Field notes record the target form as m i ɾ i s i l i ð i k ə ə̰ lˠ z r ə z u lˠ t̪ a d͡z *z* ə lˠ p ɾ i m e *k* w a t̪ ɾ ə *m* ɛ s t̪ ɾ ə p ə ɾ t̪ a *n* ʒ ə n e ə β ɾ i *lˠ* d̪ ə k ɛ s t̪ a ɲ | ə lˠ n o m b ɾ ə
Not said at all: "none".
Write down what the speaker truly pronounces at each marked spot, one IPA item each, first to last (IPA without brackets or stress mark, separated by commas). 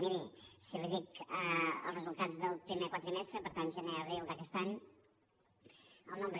ð, k, m, n, lˠ